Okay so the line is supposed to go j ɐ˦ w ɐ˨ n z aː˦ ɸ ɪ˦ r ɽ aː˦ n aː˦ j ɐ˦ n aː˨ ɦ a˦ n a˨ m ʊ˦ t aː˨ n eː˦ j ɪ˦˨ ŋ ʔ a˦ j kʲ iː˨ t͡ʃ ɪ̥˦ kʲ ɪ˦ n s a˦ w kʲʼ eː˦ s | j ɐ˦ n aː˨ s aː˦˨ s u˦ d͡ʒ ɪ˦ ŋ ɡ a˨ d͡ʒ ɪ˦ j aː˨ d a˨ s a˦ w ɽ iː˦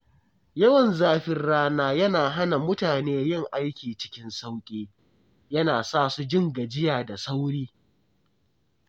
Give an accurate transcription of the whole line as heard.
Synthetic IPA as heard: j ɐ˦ w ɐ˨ n z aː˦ ɸ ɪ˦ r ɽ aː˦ n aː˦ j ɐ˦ n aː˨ ɦ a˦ n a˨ m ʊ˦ t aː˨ n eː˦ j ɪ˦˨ ŋ ʔ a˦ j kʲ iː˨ t͡ʃ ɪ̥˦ kʲ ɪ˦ n s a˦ w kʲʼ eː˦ | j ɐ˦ n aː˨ s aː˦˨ s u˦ d͡ʒ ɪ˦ ŋ ɡ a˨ d͡ʒ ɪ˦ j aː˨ d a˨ s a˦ w ɽ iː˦